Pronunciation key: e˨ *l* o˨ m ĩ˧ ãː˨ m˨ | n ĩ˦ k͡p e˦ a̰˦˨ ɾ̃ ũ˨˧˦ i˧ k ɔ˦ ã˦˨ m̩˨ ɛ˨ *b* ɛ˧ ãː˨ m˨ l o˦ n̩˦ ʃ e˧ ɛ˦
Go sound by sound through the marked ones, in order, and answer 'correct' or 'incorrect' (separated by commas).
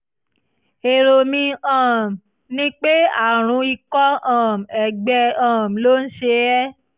incorrect, incorrect